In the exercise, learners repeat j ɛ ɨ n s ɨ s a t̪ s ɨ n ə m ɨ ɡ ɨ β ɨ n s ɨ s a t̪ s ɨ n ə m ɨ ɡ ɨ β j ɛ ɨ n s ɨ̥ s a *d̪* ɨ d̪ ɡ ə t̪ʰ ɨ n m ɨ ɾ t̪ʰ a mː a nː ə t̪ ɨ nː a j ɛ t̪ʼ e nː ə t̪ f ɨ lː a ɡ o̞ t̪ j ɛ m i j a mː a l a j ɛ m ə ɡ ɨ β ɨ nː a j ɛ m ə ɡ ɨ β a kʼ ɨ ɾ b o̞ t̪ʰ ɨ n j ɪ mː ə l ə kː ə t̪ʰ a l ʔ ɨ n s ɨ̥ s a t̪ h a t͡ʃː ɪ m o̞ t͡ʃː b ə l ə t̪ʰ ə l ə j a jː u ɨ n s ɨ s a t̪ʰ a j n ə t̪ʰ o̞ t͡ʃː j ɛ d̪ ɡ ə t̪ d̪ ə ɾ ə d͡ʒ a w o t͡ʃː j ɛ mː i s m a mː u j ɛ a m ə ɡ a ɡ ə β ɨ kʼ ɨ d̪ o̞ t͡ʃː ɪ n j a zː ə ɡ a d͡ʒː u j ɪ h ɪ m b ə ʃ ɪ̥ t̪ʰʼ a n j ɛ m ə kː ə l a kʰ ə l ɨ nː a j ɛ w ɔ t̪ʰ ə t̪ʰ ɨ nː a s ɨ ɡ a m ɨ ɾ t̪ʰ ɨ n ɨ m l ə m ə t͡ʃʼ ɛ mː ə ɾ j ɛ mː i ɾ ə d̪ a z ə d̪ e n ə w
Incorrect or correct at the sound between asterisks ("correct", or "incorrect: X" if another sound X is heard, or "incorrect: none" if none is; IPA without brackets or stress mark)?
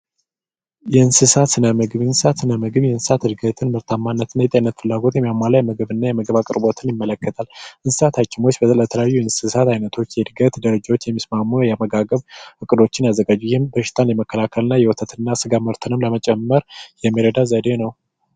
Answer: incorrect: t̪